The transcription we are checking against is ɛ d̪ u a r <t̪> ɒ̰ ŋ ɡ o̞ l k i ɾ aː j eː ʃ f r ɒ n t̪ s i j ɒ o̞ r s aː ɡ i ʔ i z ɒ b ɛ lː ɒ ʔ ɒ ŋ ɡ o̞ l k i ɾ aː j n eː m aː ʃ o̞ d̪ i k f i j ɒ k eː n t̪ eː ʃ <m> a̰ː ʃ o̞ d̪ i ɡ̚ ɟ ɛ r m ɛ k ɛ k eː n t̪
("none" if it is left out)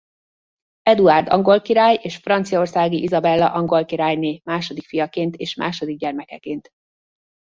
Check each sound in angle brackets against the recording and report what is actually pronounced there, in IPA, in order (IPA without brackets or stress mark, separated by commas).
d̪, m